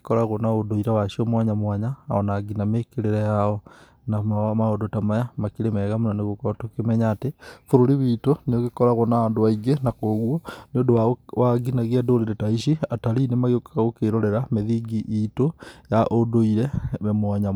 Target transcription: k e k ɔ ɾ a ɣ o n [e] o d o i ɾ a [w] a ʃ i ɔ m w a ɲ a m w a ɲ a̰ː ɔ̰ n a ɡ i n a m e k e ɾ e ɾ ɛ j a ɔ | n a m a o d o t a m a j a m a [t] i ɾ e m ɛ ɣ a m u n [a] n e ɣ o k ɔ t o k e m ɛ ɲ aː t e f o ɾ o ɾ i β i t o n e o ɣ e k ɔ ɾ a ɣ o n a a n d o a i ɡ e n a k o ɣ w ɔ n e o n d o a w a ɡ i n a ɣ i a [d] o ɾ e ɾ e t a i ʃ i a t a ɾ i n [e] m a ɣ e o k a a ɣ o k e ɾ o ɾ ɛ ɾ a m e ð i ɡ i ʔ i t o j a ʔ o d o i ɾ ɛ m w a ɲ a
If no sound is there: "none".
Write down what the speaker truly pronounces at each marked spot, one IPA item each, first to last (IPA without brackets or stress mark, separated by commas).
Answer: a, w, k, a, d, e